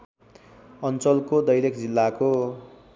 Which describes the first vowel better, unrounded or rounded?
unrounded